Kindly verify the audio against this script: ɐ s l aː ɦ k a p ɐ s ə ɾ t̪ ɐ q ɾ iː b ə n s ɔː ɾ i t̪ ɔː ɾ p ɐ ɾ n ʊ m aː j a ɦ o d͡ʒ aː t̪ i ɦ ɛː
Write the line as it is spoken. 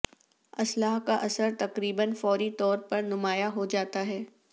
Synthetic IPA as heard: ɐ s l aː ɦ k a ʔ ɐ s ə ɾ t̪ ɐ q ɾ iː b ə n f ɔː ɾ i t̪ ɔː ɾ p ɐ ɾ n ʊ m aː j a ɦ o d͡ʒ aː t̪ a ɦ ɛː